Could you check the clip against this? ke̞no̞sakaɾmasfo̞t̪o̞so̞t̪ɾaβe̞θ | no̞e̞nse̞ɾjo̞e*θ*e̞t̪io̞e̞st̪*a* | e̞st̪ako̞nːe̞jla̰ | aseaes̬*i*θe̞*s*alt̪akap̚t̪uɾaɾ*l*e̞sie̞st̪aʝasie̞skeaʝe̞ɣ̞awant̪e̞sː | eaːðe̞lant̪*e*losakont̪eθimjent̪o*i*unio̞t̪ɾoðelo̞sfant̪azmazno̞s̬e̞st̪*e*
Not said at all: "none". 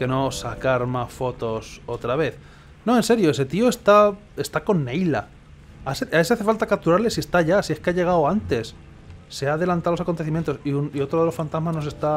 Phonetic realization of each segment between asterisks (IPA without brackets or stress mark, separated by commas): s, a, a, f, l, a, i, a